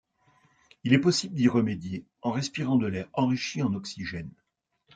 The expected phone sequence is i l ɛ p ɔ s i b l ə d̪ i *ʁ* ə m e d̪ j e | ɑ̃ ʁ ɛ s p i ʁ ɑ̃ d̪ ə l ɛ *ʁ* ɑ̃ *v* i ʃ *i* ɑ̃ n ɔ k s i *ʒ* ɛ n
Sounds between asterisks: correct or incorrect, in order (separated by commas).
correct, correct, incorrect, correct, correct